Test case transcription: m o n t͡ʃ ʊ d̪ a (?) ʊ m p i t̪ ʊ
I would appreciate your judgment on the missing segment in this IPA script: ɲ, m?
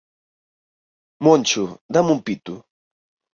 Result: m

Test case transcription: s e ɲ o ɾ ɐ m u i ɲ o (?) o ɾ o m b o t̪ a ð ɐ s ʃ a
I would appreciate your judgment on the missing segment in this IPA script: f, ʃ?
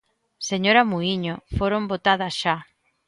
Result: f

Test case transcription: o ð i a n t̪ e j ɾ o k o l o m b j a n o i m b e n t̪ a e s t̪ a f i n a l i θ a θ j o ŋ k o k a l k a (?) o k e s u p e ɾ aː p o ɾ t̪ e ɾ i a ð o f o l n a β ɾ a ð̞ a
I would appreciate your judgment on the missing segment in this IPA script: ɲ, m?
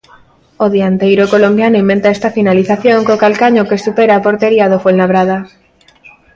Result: ɲ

